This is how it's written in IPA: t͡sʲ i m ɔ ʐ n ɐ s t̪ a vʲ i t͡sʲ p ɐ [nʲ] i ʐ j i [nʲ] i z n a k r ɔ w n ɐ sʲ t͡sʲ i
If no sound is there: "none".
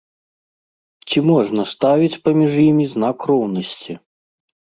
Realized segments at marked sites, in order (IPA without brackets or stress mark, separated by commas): mʲ, mʲ